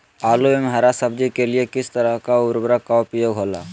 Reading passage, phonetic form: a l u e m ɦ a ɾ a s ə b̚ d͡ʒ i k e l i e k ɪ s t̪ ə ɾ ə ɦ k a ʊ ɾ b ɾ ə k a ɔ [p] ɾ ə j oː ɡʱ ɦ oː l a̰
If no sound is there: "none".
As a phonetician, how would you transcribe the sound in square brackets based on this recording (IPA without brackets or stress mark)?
p